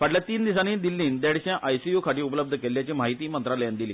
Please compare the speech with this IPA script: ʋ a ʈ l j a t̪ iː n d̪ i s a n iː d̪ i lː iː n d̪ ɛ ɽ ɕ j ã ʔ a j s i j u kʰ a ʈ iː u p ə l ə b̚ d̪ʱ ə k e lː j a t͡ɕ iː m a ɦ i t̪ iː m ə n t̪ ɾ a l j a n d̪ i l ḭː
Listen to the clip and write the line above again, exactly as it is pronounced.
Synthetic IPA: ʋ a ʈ l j a t̪ iː n d̪ i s a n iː d̪ i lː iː n d̪ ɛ ɽ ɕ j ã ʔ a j s i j u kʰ a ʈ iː u p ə l ə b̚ d̪ʱ ə k e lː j a t͡ɕ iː m a ɦ i t̪ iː m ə n t̪ ɾ a l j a n d̪ i l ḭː